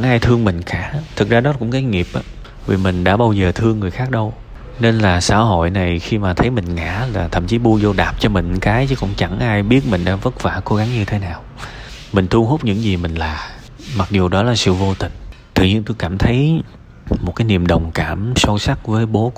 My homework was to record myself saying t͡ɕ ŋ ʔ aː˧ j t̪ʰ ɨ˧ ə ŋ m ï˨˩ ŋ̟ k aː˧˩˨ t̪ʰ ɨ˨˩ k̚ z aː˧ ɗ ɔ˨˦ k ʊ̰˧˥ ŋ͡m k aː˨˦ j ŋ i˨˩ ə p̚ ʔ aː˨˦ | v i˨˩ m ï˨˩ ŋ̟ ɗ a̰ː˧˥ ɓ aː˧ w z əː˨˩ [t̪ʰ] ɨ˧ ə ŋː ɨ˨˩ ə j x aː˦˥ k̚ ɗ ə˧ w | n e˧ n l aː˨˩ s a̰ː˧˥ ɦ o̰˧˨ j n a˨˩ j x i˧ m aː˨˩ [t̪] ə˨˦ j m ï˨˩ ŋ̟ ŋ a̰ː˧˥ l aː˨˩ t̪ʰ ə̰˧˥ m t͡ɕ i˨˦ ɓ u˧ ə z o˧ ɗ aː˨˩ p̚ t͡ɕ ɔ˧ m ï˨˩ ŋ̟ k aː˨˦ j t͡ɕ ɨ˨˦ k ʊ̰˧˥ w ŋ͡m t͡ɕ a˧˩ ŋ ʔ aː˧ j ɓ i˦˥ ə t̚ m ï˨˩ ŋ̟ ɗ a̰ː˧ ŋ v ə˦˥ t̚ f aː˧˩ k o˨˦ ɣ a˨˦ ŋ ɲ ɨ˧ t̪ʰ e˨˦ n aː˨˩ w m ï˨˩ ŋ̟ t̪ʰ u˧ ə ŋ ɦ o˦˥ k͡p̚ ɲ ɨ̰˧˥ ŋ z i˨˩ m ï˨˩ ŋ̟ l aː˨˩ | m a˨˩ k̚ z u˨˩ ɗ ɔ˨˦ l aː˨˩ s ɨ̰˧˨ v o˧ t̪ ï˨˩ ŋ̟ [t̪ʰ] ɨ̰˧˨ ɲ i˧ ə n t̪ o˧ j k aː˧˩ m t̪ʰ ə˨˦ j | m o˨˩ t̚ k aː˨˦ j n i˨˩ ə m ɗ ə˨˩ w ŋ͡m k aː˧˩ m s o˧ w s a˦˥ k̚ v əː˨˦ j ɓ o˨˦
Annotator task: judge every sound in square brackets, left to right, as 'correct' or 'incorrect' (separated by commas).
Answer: correct, incorrect, incorrect